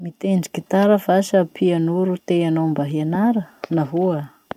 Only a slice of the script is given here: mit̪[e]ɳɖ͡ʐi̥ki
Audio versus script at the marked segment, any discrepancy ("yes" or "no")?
no